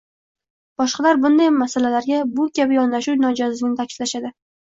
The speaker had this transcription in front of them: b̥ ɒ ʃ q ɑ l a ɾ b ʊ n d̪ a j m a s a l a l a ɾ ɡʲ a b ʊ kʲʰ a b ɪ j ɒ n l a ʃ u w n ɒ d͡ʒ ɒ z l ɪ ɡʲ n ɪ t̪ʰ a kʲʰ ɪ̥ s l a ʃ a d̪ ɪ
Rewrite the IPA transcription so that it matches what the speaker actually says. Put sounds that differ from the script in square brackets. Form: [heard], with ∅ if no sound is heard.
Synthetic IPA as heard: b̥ ɒ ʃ q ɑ l a ɾ b ʊ n d̪ a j m a s a l a l a ɾ ɡʲ a b ʊ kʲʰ a b ɪ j ɒ n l a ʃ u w n ɒ d͡ʒ ɒ z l ɪ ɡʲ n ɪ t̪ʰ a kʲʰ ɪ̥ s l a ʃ a d̪ ɪ